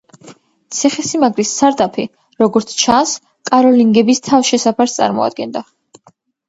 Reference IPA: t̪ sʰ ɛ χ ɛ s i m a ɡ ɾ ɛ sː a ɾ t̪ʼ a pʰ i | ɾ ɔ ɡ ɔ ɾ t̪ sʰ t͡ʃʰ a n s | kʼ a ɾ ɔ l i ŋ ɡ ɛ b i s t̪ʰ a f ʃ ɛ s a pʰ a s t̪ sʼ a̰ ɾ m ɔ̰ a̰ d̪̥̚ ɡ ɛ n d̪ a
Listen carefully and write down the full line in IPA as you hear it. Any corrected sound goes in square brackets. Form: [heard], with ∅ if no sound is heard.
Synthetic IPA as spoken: t̪ sʰ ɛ χ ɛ s i m a ɡ ɾ [i] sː a ɾ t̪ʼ a pʰ i | ɾ ɔ ɡ ɔ ɾ t̪ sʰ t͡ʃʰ a n s | kʼ a ɾ ɔ l i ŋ ɡ ɛ b i s t̪ʰ a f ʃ ɛ s a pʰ a s t̪ sʼ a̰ ɾ m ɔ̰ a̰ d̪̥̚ ɡ ɛ n d̪ a